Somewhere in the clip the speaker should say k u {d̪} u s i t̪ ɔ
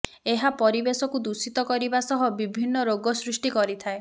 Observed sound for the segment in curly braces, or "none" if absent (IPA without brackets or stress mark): d̪